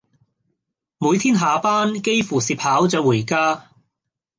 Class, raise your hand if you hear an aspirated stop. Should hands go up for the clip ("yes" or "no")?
yes